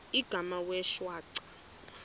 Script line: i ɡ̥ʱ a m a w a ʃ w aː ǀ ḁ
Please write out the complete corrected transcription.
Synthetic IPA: i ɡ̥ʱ a m a w ɛ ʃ w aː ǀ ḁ